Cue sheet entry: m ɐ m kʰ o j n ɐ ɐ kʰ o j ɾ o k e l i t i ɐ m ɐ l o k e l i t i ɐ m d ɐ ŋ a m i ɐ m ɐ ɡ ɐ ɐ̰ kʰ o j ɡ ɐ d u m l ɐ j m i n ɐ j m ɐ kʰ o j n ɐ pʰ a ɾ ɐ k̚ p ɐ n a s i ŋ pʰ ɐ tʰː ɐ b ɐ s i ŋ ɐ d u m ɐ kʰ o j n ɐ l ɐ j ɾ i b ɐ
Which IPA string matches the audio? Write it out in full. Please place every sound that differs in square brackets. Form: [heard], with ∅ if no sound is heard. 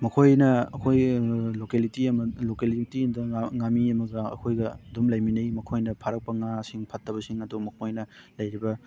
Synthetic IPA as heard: m ɐ [∅] kʰ o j n ɐ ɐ kʰ o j [l] o k e l i t i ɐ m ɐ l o k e l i t i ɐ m d ɐ ŋ a m i ɐ m ɐ ɡ ɐ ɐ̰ kʰ o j ɡ ɐ d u m l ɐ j m i n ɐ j m ɐ kʰ o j n ɐ pʰ a ɾ ɐ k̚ p ɐ [ŋ] a s i ŋ pʰ ɐ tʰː ɐ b ɐ s i ŋ ɐ d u m ɐ kʰ o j n ɐ l ɐ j ɾ i b ɐ